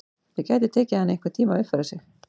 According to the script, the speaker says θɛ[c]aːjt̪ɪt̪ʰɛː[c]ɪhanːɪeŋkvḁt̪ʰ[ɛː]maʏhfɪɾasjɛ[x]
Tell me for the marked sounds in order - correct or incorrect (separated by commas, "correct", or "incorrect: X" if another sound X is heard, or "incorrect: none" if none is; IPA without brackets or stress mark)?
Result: correct, correct, incorrect: iː, correct